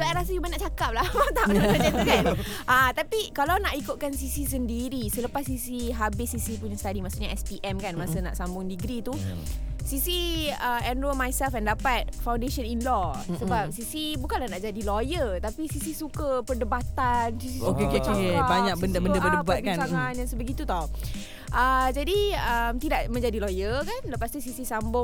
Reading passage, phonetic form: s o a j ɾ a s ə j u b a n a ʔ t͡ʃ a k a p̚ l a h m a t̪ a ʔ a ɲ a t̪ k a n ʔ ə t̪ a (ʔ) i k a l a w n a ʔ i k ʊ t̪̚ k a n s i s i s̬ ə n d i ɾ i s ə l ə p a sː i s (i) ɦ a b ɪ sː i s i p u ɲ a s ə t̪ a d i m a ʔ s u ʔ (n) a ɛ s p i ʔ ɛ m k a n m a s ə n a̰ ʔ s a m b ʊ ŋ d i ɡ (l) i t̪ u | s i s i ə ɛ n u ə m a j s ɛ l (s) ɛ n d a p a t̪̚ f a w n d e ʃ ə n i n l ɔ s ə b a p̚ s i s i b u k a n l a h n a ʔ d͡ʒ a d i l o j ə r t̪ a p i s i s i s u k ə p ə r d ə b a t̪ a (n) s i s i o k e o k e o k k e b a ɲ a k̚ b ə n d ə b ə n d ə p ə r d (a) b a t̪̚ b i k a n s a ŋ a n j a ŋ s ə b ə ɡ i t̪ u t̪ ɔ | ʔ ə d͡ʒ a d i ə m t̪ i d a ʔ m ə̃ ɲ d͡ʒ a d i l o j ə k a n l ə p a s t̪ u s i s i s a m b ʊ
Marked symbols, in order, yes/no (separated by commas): no, yes, no, no, no, yes, no